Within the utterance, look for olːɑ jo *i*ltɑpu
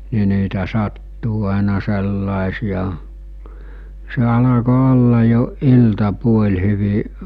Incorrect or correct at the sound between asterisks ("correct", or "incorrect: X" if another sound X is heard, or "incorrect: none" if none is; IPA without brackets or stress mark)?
correct